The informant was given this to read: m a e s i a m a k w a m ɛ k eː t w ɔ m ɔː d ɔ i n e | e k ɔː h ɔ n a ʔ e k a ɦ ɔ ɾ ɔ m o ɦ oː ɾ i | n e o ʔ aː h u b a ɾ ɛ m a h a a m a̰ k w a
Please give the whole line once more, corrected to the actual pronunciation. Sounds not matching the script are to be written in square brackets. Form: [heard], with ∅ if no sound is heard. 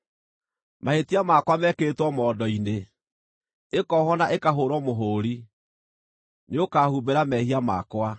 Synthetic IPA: m a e [t] i a m a k w a m ɛ k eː t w ɔ m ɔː d ɔ i n e | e k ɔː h ɔ n a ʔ e k a ɦ [o] ɾ ɔ m o ɦ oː ɾ i | n e o [k] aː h u b [e] ɾ [a] m [ɛ] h [i] a m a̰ k w a